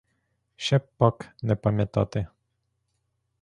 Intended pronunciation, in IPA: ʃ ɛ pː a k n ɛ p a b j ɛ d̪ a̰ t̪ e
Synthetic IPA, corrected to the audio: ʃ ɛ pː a k n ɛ p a m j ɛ t̪ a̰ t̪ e